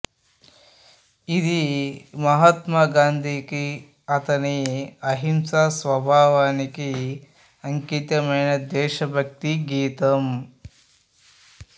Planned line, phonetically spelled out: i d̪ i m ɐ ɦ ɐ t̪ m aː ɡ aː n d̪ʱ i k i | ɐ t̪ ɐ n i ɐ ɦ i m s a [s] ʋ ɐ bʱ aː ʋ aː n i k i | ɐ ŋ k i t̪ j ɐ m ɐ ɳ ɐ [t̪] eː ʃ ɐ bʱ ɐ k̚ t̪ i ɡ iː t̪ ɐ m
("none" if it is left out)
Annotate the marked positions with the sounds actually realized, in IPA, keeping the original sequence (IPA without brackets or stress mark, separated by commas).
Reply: s, d̪